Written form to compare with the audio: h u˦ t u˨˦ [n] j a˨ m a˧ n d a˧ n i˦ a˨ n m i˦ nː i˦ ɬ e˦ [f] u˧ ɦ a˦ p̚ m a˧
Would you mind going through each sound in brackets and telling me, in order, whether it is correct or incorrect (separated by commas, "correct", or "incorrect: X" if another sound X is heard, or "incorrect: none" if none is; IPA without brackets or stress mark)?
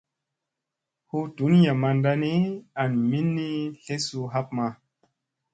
correct, incorrect: s